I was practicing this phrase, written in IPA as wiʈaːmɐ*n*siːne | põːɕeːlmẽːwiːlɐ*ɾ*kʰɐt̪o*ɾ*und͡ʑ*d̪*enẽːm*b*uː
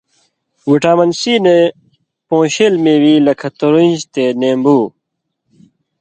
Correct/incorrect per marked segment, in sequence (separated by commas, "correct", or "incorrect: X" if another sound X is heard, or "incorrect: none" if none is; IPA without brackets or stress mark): correct, incorrect: none, correct, incorrect: t̪, correct